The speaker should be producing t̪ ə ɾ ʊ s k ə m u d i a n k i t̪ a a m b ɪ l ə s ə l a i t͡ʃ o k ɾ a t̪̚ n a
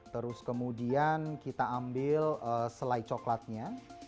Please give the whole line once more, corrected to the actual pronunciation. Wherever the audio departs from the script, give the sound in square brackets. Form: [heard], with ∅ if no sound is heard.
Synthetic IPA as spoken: t̪ ə ɾ ʊ s k ə m u d i a n k i t̪ a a m b ɪ l ə s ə l a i t͡ʃ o k [l] a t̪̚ [ɲ] a